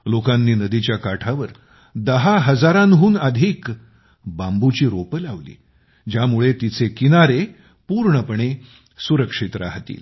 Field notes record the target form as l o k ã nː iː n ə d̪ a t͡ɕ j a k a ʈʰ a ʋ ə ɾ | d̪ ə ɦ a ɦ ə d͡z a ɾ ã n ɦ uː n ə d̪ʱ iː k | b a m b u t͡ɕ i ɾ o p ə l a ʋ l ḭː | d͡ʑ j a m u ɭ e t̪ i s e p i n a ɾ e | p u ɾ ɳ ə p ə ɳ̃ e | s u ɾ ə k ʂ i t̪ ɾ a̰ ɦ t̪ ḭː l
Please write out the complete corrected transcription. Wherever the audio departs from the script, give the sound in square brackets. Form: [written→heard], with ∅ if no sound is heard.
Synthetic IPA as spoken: l o k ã nː iː n ə d̪ [a→i] t͡ɕ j a k a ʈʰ a ʋ ə ɾ | d̪ ə ɦ a ɦ ə d͡z a ɾ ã n ɦ uː n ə d̪ʱ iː k | b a m b u t͡ɕ [i→iː] ɾ o p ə l a ʋ l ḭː | d͡ʑ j a m u ɭ e t̪ i [s→t͡s] e [p→k] i n a ɾ e | p u ɾ ɳ ə p ə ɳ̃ e | s u ɾ ə k ʂ i t̪ ɾ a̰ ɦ t̪ ḭː l